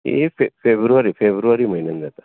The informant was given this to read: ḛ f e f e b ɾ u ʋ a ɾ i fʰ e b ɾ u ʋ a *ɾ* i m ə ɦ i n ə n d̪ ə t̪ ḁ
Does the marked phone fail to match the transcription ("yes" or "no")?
no